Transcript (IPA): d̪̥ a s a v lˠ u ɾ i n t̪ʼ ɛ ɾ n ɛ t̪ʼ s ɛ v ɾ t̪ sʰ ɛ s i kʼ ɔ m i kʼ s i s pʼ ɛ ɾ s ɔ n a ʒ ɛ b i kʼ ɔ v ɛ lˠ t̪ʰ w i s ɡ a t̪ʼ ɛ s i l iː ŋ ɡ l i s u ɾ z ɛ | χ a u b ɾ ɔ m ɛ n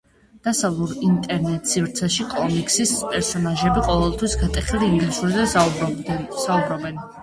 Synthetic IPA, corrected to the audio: d̪̥ a s a v lˠ u ɾ i n t̪ʼ ɛ ɾ n ɛ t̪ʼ s i v ɾ t̪ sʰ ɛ ʃ i kʼ ɔ m i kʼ s i s pʼ ɛ ɾ s ɔ n a ʒ ɛ b i qʼ ɔ v ɛ lˠ t̪ʰ w i s ɡ a t̪ʼ ɛ χ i l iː ŋ ɡ l i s u ɾ z ɛ | s a u b ɾ ɔ b ɛ n